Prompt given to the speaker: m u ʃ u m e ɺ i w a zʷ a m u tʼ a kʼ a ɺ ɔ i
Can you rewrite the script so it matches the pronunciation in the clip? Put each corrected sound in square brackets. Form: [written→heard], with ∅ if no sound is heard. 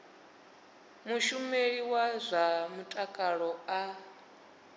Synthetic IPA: m u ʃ u m e ɺ i w a zʷ a m u tʼ a kʼ a ɺ ɔ [i→a]